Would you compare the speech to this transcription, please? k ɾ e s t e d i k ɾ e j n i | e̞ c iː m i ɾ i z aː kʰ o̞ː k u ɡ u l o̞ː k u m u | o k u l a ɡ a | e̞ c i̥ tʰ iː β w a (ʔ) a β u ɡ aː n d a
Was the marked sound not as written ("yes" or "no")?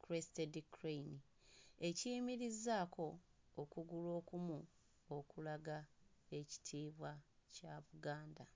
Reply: yes